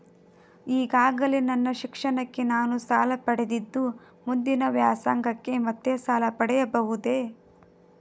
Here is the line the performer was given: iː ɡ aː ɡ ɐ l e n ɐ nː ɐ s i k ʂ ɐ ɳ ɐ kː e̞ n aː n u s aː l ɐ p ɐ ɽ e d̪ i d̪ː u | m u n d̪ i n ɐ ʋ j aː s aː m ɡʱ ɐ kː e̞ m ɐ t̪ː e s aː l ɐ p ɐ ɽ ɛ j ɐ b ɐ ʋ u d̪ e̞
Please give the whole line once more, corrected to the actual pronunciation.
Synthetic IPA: iː ɡ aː ɡ ɐ l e n ɐ nː ɐ ʃ i k ʂ ɐ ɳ ɐ kː e̞ n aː n u s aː l ɐ p ɐ ɽ e d̪ i d̪ː u | m u n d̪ i n ɐ ʋ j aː s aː ŋ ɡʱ ɐ kː e̞ m ɐ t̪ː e s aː l ɐ p ɐ ɽ ɛ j ɐ b ɐ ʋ u d̪ e̞